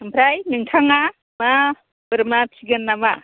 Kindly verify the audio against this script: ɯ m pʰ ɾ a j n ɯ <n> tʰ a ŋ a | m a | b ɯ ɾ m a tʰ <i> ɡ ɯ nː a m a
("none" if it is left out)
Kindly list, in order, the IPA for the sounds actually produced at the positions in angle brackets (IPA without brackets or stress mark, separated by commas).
ŋ, i